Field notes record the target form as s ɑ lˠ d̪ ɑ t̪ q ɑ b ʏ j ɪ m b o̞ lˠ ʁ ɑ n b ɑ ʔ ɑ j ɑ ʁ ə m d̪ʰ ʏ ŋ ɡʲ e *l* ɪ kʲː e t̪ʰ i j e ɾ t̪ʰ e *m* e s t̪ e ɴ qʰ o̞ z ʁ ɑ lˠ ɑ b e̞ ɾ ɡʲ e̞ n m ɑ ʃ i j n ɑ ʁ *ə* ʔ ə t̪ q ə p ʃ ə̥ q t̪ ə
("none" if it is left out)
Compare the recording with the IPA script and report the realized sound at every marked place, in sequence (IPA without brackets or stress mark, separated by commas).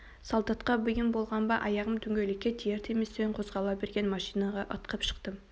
l, m, ɑ